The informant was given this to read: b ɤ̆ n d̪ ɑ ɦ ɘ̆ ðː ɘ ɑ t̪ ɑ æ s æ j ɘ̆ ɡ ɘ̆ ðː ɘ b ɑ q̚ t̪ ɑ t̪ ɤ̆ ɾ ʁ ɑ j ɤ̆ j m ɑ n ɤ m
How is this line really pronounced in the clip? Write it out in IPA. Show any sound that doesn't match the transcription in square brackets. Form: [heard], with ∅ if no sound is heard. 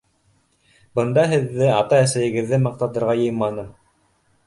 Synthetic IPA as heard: b ɤ̆ n d̪ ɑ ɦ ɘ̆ ðː ɘ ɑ t̪ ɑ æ s æ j ɘ̆ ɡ ɘ̆ ðː ɘ [m] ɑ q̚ t̪ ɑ t̪ ɤ̆ ɾ ʁ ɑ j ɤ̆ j m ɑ n ɤ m